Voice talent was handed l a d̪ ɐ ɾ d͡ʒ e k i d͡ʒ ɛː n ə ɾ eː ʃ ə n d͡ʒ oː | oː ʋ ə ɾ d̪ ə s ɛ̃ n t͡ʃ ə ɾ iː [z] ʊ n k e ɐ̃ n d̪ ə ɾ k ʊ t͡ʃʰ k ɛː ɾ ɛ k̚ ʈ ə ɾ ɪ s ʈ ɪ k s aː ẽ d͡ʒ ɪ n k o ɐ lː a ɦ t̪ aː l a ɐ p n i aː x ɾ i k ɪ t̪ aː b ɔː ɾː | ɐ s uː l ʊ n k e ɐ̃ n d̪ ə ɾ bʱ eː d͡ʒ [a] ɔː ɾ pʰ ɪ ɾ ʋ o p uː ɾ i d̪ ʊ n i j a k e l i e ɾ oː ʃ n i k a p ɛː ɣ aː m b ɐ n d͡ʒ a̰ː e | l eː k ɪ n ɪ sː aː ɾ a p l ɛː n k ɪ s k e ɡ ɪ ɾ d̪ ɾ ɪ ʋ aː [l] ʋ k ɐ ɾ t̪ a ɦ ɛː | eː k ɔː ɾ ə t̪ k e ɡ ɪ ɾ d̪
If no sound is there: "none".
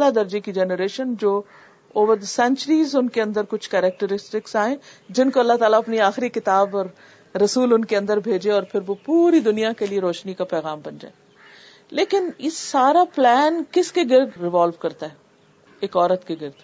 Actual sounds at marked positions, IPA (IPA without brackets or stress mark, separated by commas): z, e, l